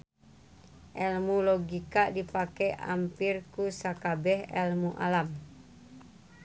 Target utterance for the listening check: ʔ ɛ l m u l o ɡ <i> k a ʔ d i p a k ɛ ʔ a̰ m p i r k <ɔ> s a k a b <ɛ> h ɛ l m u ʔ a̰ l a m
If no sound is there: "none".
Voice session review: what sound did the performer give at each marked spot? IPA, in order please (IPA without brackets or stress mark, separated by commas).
i, u, ɛ